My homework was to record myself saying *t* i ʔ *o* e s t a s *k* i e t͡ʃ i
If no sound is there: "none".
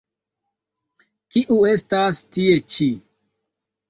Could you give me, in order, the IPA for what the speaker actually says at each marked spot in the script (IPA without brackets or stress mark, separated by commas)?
k, u, t